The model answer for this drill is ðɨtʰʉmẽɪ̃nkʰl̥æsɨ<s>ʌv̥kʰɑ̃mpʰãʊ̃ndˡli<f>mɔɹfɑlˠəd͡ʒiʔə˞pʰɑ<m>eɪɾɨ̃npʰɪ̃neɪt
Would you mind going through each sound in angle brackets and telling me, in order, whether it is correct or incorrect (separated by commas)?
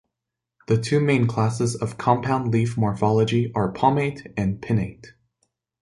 incorrect, correct, correct